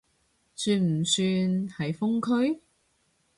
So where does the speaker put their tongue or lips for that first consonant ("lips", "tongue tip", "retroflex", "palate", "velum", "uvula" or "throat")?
tongue tip